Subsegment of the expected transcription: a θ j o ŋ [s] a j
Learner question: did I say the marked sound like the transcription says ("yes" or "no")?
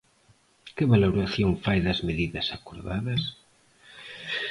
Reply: no